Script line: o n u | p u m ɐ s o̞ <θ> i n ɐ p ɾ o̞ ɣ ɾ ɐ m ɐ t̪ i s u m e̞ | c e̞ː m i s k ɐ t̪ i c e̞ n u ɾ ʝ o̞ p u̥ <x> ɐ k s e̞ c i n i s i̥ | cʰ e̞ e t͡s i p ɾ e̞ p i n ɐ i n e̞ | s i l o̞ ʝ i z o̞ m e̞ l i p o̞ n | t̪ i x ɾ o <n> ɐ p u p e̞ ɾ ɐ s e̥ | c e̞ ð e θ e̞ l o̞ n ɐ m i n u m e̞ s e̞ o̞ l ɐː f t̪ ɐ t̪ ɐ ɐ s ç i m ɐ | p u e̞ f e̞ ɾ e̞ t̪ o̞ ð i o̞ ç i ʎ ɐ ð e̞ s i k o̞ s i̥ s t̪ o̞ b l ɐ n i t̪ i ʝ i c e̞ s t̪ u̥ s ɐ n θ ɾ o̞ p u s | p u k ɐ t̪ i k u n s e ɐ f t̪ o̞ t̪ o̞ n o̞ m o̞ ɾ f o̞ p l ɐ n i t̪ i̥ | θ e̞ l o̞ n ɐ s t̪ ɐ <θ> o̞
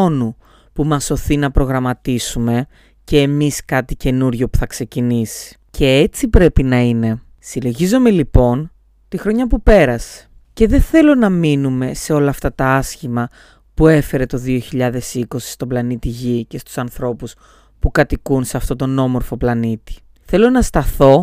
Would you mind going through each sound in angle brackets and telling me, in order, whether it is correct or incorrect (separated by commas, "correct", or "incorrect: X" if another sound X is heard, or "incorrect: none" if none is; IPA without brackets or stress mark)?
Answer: correct, incorrect: θ, incorrect: ɲ, correct